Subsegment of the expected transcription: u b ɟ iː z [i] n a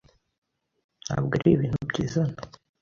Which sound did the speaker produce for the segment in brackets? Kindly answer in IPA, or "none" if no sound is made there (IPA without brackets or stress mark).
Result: a